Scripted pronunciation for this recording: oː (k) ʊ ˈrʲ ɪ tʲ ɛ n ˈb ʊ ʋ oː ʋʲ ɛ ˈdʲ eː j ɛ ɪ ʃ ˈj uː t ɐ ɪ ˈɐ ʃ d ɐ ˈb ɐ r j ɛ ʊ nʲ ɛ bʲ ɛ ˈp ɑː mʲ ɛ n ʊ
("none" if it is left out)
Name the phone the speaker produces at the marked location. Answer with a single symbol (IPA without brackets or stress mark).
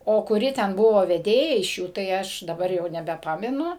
k